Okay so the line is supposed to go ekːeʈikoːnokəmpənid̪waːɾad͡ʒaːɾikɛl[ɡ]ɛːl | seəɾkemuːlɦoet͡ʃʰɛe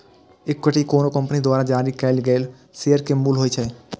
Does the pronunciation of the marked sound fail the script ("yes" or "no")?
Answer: no